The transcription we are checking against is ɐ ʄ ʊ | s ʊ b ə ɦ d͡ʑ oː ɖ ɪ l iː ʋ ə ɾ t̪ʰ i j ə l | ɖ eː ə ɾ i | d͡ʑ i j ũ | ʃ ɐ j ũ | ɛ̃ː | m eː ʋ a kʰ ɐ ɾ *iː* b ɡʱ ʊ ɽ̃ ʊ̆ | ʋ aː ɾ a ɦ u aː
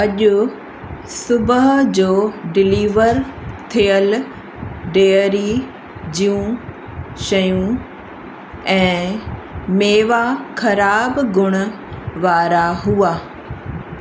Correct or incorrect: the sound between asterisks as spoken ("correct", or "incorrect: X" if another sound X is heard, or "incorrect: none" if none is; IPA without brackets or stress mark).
incorrect: aː